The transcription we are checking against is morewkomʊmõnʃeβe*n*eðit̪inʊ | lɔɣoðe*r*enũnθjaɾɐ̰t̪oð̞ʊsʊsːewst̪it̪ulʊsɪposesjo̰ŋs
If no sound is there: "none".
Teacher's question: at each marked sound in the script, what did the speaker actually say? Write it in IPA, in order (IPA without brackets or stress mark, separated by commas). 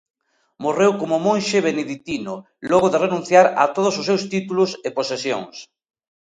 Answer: n, r